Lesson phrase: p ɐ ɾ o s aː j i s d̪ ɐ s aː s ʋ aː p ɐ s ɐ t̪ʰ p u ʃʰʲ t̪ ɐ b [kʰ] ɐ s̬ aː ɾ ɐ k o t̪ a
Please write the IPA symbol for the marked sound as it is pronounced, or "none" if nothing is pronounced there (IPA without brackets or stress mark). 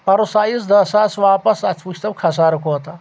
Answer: kʰ